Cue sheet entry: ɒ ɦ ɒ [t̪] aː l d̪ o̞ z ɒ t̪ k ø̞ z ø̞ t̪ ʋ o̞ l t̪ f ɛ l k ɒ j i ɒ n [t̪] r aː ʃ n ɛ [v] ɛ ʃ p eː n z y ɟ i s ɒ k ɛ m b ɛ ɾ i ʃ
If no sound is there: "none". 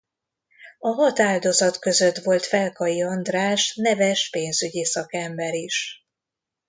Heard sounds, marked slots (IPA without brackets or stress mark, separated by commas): t̪, d̪, v